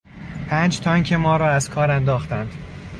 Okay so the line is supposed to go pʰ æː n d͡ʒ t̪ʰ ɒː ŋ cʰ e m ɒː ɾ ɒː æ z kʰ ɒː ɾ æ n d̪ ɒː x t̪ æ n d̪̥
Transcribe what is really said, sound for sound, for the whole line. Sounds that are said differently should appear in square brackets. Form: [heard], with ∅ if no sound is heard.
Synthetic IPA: pʰ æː n d͡ʒ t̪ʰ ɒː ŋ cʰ e m ɒː ɾ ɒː æ z kʰ ɒː ɾ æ n d̪ ɒː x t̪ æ n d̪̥